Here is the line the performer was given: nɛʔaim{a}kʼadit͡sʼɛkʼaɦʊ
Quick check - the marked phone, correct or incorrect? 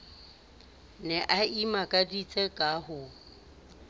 correct